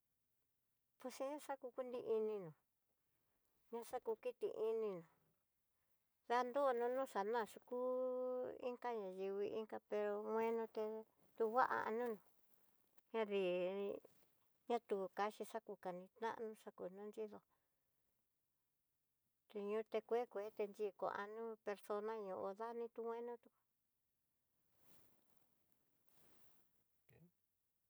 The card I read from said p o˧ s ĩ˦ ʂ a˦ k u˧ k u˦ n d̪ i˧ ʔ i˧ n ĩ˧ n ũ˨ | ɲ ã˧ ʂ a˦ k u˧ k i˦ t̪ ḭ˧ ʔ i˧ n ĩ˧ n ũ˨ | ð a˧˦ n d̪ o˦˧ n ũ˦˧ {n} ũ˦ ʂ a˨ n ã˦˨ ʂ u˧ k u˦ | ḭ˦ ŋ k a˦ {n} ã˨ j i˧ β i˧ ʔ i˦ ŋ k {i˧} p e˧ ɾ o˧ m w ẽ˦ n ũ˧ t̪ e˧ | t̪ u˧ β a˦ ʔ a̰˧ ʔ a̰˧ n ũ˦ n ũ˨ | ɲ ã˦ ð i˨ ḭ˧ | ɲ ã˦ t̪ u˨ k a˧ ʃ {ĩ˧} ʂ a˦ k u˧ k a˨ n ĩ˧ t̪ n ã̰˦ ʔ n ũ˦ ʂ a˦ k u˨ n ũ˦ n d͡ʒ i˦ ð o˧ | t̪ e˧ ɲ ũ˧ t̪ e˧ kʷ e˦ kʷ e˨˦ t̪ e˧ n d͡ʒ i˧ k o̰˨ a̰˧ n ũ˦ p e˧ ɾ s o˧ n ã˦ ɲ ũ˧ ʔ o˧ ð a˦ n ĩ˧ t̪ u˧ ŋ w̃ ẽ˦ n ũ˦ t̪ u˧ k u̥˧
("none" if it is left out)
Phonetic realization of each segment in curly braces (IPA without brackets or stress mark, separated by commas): n, ɲ, a˧, i˧